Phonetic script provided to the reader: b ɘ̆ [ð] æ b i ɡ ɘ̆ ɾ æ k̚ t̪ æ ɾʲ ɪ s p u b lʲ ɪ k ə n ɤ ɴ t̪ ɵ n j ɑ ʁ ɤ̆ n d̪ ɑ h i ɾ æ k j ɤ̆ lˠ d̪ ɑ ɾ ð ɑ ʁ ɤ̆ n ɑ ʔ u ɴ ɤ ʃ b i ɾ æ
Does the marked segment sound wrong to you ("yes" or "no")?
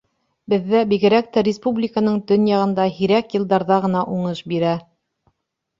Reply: yes